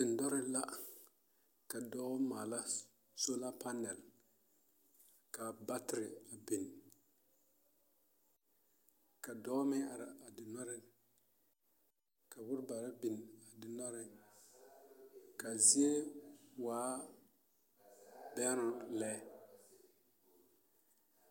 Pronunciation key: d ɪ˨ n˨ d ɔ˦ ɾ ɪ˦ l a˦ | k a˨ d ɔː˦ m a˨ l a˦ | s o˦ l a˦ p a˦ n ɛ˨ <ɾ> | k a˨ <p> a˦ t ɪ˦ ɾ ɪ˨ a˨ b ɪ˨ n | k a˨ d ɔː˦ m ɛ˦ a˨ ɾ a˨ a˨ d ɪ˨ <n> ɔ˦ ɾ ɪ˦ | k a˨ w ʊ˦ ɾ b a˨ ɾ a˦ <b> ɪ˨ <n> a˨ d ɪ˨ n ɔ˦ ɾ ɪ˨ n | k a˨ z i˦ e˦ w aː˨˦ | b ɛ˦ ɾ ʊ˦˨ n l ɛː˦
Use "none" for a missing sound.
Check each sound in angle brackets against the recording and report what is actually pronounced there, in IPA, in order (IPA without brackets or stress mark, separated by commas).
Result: l, b, n, b, n